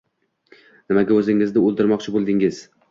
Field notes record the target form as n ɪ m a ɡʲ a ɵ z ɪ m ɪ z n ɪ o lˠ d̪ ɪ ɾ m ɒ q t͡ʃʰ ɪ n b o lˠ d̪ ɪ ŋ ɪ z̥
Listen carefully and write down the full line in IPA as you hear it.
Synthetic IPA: n ɪ m a ɡʲ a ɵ z ɪ ŋ ɪ z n ɪ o lˠ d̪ ɪ ɾ m ɒ q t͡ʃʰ ɪ b o lˠ d̪ ɪ ŋ ɪ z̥